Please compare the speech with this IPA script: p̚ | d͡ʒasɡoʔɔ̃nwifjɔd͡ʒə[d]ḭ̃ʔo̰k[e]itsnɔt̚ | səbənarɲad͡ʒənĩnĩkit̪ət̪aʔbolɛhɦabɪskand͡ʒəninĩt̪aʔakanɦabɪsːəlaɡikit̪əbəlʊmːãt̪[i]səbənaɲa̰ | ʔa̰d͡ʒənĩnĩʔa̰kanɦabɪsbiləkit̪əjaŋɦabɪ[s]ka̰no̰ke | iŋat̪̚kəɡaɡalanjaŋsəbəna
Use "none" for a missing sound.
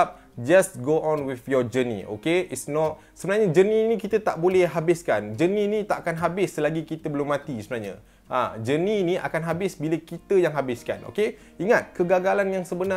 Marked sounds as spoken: n, e, i, s

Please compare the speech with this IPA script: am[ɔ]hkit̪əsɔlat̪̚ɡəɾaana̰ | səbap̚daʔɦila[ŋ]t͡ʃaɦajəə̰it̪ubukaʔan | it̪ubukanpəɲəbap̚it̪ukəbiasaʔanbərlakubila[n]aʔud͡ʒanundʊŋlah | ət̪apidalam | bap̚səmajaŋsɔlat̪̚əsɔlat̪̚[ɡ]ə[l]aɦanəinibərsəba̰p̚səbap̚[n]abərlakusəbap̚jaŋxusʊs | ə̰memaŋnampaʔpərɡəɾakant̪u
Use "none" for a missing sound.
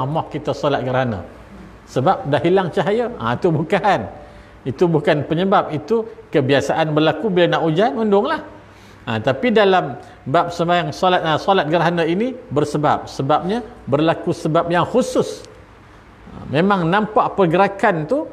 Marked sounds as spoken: ɔ, ŋ, n, ɡ, ɾ, ɲ

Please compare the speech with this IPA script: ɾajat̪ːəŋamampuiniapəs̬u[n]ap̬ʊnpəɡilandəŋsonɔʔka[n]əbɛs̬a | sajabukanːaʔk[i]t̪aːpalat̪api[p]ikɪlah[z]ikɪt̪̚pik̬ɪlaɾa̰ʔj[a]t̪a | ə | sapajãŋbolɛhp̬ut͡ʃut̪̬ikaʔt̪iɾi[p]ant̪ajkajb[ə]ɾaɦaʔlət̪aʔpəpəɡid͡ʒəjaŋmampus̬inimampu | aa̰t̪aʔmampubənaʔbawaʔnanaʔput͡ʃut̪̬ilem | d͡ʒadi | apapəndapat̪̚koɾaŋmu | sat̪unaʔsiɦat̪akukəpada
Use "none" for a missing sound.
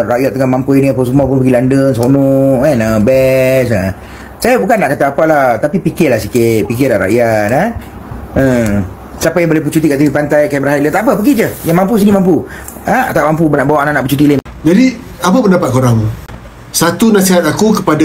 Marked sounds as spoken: m, n, a, p, s, a, p, ə

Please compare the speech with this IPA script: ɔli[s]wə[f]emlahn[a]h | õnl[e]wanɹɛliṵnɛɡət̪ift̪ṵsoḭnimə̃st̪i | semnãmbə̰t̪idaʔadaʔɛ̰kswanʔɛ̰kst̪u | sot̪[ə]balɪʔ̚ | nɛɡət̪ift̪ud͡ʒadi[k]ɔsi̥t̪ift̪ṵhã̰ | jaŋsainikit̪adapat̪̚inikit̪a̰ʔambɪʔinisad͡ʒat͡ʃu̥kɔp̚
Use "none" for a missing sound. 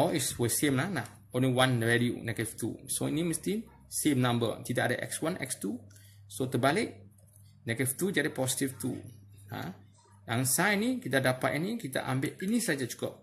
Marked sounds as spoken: s, s, a, i, ə, p

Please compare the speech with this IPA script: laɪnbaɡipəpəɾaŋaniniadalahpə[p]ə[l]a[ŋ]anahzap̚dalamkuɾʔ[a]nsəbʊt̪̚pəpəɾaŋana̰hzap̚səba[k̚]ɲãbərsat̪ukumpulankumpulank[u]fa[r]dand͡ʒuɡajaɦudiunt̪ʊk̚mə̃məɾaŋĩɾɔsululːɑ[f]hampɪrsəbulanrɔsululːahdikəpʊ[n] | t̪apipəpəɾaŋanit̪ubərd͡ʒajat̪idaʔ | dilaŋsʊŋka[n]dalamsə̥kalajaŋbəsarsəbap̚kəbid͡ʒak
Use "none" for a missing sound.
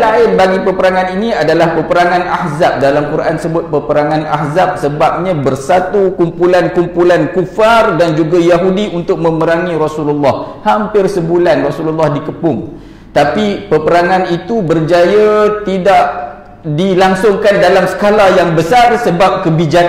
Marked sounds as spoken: p, ɾ, ŋ, a, p̚, u, r, h, ŋ, n

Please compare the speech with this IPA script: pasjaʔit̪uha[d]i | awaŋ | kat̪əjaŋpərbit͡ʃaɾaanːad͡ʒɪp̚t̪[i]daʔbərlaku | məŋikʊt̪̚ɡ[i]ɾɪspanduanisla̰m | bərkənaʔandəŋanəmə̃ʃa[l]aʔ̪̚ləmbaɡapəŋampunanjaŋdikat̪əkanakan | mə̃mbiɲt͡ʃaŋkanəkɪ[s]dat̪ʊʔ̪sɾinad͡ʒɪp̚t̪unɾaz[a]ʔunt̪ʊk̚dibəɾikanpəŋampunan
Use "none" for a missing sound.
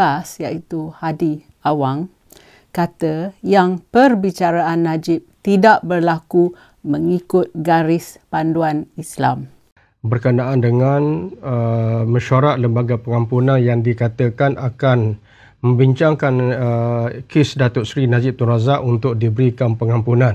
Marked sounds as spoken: d, i, a, ɾ, s, a

